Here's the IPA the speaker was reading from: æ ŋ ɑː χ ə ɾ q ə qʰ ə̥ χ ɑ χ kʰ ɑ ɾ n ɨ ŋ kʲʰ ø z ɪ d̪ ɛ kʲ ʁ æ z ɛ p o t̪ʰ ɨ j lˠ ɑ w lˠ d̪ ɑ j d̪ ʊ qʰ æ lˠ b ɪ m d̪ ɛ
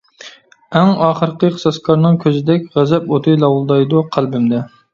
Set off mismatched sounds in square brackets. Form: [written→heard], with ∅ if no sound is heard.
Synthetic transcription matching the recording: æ ŋ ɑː χ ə ɾ q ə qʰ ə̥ [χ→s] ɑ [χ→s] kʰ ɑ ɾ n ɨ ŋ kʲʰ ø z ɪ d̪ ɛ kʲ ʁ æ z ɛ p o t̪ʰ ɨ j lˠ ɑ w lˠ d̪ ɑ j d̪ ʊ qʰ æ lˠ b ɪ m d̪ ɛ